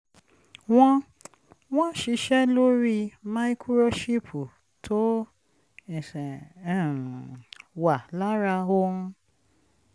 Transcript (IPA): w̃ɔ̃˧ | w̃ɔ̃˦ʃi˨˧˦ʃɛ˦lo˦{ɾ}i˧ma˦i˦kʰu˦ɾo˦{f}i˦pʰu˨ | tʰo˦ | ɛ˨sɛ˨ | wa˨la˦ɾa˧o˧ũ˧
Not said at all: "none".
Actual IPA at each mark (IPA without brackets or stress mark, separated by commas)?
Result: ɾ, ʃ